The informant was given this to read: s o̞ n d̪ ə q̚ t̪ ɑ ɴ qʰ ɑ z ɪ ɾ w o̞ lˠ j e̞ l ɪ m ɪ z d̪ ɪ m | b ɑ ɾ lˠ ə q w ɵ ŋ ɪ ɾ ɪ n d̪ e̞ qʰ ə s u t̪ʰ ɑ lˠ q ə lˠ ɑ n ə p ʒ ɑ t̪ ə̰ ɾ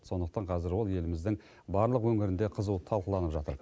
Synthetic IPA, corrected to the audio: s o̞ n d̪ ə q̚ t̪ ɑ ɴ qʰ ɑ z ɪ ɾ w o̞ lˠ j e̞ l ɪ m ɪ z d̪ ɪ ŋ | b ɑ ɾ lˠ ə q w ɵ ŋ ɪ ɾ ɪ n d̪ e̞ qʰ ə z u t̪ʰ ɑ lˠ q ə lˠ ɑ n ə p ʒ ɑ t̪ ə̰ ɾ